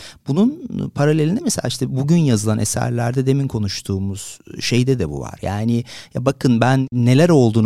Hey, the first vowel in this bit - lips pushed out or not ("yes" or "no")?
yes